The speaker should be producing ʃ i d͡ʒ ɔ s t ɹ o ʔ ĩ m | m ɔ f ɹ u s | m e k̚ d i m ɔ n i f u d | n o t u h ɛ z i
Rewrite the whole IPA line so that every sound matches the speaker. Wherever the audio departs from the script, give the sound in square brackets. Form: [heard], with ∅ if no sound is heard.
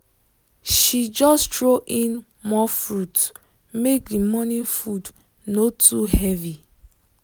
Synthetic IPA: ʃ i d͡ʒ ɔ s t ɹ o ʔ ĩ [n] | m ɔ f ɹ u [t] | m e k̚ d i m ɔ n i f u d | n o t u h ɛ [v] i